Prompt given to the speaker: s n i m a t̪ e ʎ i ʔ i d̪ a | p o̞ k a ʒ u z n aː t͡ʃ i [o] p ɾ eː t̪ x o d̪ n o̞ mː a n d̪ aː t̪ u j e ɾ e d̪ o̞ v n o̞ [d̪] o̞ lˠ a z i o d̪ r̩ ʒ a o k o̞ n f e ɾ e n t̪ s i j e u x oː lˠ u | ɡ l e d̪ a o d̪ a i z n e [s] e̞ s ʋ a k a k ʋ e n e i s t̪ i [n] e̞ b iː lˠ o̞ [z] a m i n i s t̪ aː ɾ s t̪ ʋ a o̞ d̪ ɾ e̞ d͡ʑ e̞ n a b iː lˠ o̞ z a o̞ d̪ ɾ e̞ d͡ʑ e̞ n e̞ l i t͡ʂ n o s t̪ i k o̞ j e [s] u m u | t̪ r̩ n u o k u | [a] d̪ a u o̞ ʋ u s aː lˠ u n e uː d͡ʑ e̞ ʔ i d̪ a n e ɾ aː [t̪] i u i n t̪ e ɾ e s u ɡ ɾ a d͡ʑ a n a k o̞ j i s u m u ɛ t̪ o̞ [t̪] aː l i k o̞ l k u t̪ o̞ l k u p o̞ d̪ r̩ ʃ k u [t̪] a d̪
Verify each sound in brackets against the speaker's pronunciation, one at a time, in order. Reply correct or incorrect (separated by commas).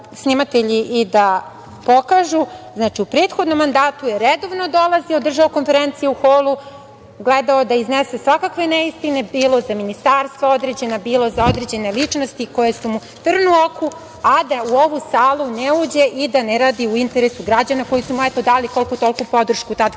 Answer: incorrect, correct, correct, correct, correct, correct, correct, incorrect, incorrect, correct